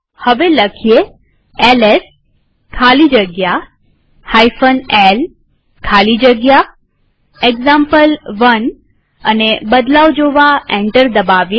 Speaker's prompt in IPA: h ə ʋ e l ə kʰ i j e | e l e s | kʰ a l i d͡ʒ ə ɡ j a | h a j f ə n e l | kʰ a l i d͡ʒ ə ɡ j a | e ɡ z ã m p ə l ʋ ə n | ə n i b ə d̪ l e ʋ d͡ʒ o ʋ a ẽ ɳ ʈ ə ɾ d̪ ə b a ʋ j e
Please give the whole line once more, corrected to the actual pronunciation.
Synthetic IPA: h ə ʋ e l ə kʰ i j e | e l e s | kʰ a l i d͡ʒ ə ɡ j a | h a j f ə n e l | kʰ a l i d͡ʒ ə ɡ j a | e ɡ z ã m p ə l ʋ ə n | ə n e b ə d̪ l a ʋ d͡ʒ o ʋ a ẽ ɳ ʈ ə ɾ d̪ ə b a ʋ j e